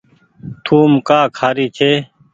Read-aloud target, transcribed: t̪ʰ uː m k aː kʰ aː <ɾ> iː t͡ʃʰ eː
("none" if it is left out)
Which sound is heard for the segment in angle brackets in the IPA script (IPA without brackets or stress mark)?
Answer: ɾ